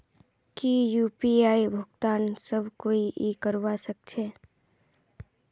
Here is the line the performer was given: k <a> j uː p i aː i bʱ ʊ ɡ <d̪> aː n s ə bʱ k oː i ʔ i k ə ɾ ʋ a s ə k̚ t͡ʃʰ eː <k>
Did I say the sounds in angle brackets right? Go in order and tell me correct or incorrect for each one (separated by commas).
incorrect, incorrect, incorrect